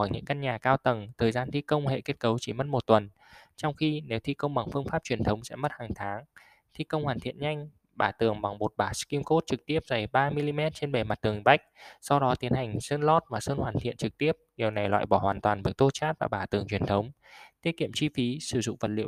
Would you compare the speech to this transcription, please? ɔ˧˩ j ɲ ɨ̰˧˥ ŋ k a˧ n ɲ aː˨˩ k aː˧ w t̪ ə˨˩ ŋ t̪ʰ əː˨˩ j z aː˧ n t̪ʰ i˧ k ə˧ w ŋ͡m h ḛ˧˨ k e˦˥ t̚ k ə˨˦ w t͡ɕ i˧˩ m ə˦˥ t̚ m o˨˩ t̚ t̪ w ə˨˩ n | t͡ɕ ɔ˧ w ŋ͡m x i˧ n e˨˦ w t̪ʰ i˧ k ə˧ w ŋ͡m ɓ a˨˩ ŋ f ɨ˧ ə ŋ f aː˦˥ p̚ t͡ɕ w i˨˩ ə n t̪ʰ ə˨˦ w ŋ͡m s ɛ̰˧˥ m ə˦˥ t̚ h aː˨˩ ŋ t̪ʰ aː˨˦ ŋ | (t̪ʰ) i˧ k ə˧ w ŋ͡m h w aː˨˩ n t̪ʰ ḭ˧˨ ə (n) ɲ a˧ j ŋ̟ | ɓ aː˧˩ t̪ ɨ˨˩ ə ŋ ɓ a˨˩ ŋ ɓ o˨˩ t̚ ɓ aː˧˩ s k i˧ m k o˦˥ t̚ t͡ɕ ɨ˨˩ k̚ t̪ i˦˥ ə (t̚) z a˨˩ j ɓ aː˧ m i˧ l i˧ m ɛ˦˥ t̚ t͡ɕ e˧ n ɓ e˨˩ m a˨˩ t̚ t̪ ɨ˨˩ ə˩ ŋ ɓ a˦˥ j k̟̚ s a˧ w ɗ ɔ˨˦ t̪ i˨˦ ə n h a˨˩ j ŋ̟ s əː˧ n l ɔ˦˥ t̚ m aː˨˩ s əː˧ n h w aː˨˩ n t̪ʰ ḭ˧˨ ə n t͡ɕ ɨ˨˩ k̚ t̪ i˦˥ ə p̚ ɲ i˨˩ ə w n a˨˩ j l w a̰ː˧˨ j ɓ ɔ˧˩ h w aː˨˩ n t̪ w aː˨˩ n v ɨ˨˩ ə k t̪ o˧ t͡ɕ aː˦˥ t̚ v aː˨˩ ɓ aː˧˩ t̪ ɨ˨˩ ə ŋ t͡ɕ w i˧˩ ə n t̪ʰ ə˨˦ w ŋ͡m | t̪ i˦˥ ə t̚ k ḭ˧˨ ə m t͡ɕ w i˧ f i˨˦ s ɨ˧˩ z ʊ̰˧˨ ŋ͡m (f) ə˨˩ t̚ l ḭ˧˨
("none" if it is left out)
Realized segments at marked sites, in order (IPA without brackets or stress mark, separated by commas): t̪ʰ, n, p̚, v